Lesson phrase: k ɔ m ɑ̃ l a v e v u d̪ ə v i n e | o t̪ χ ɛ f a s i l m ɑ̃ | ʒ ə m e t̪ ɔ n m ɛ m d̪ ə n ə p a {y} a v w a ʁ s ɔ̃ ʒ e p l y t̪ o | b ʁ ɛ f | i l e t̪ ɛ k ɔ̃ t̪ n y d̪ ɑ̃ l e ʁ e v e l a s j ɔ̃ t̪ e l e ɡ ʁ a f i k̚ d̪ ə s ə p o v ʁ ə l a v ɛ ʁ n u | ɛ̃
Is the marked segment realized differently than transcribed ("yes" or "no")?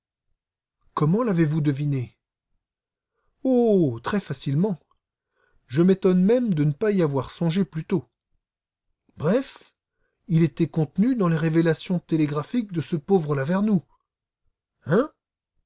yes